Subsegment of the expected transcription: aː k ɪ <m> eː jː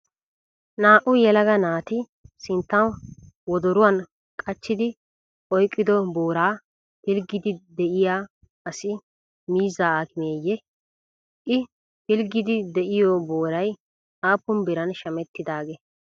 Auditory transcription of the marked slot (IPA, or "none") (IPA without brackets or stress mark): m